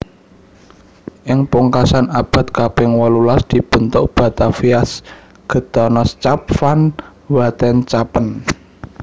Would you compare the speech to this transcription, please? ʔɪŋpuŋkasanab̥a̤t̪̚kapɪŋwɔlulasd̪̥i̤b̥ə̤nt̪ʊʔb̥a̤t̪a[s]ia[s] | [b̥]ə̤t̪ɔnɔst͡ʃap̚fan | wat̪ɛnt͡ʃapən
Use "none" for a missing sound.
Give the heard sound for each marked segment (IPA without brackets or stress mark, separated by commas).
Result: f, s, ɡ̥